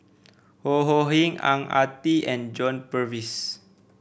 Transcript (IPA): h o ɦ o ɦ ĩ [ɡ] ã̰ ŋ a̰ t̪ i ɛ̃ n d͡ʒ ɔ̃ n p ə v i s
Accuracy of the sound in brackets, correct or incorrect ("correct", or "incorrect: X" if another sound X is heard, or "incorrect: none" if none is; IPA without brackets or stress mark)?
incorrect: ŋ